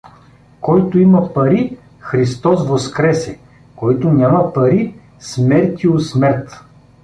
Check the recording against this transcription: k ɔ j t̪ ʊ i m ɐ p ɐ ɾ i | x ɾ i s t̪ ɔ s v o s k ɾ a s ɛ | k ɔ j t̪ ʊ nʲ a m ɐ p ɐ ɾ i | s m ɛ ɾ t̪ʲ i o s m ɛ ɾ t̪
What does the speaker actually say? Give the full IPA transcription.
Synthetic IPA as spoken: k ɔ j t̪ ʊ i m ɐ p ɐ ɾ i | x ɾ i s t̪ ɔ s v o s k ɾ ɛ s ɛ | k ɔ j t̪ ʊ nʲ a m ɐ p ɐ ɾ i | s m ɛ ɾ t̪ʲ i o s m ɛ ɾ t̪